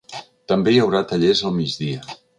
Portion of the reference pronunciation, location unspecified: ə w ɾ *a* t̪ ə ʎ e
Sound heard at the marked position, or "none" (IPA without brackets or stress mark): a